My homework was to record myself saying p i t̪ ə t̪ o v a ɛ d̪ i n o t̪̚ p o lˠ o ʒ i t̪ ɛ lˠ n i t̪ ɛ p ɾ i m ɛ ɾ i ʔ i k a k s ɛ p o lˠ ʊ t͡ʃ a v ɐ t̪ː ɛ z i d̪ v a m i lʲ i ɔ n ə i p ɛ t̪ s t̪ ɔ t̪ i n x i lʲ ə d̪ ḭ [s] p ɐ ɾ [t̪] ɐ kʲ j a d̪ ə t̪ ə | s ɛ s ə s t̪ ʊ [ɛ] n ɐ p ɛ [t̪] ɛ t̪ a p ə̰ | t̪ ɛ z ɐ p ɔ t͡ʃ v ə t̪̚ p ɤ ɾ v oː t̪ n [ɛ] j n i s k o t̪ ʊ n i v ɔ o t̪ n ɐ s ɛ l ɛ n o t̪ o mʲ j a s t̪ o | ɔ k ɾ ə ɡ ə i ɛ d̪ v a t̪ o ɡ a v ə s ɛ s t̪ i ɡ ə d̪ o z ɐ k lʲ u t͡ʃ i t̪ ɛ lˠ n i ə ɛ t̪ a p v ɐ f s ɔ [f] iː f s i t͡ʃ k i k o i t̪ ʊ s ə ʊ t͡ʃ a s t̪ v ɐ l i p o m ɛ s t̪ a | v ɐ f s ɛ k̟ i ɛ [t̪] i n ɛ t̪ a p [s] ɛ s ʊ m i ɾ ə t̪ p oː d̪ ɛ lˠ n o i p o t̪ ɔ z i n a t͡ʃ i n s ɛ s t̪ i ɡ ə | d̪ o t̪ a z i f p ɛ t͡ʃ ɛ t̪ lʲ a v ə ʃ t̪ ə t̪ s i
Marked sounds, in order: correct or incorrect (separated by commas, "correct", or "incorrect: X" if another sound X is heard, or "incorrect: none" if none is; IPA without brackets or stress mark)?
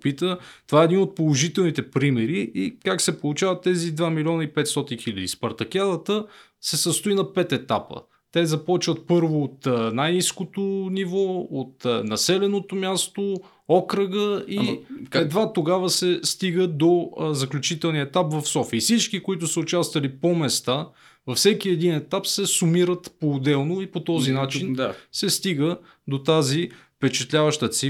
correct, correct, incorrect: i, correct, incorrect: a, correct, incorrect: d̪, correct